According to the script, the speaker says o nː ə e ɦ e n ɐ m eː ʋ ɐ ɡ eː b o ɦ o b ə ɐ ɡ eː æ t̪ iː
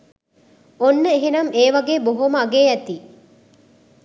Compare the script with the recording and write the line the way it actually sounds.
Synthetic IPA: o nː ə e ɦ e n ɐ m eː ʋ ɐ ɡ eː b o ɦ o m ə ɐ ɡ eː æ t̪ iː